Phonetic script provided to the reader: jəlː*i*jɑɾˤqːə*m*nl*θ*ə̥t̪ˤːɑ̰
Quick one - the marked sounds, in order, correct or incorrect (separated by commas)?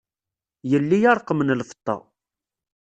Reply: correct, correct, incorrect